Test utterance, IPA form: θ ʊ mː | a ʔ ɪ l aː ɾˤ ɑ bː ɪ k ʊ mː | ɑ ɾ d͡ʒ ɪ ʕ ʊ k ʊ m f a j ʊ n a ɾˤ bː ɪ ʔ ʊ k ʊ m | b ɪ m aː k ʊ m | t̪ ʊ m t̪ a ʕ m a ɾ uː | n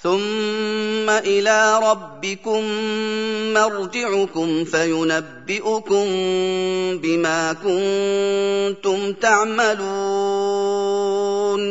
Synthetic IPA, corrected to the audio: θ ʊ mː | a ʔ ɪ l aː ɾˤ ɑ bː ɪ k ʊ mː | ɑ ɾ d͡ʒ ɪ ʕ ʊ k ʊ m f a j ʊ n a bː ɪ ʔ ʊ k ʊ m | b ɪ m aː k ʊ n | t̪ ʊ m t̪ a ʕ m a l uː | n